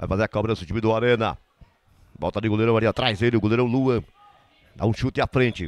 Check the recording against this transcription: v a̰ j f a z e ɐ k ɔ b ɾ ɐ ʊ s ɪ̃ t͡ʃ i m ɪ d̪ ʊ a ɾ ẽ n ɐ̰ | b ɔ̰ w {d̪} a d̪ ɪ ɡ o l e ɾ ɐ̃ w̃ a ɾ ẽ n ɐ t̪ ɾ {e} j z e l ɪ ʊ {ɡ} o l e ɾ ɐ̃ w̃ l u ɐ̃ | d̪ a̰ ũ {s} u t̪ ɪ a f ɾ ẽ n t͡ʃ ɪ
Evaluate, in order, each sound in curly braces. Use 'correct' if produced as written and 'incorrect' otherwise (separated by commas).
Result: incorrect, incorrect, correct, incorrect